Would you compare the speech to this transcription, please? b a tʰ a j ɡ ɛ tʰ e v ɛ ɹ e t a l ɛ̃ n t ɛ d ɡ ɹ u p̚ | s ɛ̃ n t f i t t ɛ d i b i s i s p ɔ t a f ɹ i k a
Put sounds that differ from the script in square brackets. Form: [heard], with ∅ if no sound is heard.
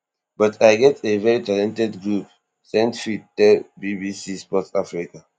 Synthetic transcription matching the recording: b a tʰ a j ɡ ɛ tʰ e v ɛ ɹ [i] t a l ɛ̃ n t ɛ d ɡ ɹ u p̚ | s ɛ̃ n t f i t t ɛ [b] i b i s i s p ɔ t a f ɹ i k a